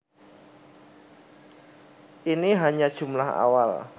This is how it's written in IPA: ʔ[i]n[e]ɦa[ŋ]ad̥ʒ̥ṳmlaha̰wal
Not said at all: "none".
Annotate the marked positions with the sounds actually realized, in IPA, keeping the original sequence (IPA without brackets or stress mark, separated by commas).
i, i, ɲ